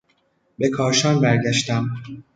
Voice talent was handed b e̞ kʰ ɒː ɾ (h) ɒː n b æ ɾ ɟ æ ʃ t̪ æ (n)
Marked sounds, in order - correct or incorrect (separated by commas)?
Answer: incorrect, incorrect